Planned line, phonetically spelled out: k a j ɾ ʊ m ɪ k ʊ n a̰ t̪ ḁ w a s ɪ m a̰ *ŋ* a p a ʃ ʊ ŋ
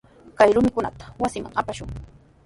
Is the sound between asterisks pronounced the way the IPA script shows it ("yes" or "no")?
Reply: yes